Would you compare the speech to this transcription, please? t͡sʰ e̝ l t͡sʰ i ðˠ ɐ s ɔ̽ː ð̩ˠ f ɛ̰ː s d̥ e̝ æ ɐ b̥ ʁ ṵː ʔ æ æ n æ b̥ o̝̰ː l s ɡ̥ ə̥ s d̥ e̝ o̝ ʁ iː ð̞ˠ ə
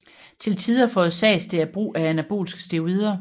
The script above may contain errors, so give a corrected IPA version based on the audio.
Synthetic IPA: t͡sʰ e̝ l t͡sʰ i ðˠ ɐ f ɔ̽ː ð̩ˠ s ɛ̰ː s d̥ e̝ æ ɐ b̥ ʁ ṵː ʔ æ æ n æ b̥ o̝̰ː l s ɡ̥ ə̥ s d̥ e̝ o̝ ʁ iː ð̞ˠ ɐ

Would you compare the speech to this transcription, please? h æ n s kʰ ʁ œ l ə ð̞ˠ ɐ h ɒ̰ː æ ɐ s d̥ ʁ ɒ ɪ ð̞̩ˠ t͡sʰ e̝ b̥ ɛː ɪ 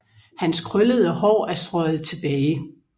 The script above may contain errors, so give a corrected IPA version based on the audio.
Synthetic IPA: h æ n s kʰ ʁ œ l ə ð̞ˠ ə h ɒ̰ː æ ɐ s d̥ ʁ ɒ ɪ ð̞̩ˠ t͡sʰ e̝ b̥ ɛː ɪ

